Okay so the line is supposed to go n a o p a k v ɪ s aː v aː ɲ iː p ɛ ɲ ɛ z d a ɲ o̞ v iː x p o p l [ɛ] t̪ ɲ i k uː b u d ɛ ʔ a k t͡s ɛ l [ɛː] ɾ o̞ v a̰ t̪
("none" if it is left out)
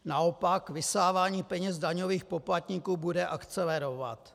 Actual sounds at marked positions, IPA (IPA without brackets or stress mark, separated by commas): a, ɛ